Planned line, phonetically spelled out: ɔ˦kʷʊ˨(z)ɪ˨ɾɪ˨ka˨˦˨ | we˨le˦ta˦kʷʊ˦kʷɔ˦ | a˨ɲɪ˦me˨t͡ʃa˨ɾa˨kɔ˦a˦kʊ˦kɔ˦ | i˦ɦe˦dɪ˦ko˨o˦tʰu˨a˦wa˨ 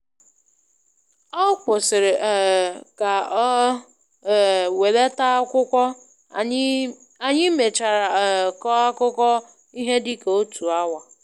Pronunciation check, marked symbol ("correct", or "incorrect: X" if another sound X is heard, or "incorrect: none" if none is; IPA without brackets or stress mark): incorrect: s